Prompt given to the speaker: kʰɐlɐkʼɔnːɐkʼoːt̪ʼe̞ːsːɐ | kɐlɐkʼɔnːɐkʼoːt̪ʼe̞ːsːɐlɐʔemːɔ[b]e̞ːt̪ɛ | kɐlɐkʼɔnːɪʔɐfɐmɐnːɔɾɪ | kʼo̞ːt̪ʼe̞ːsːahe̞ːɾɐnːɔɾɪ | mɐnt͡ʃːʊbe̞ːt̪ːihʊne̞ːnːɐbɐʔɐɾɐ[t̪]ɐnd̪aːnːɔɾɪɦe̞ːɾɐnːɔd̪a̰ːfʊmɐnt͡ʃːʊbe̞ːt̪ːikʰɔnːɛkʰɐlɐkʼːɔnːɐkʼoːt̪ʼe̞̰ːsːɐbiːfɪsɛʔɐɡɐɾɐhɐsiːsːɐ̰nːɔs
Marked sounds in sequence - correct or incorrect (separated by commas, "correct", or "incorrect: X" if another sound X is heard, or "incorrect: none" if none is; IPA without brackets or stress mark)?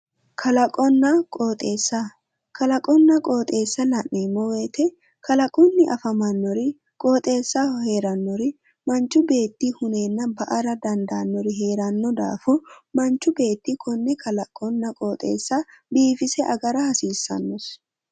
incorrect: w, incorrect: d̪